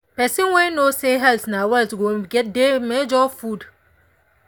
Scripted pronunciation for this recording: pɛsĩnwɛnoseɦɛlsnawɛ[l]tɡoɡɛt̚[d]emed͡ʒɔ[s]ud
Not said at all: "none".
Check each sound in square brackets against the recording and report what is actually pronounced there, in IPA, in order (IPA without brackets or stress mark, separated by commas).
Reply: l, d, f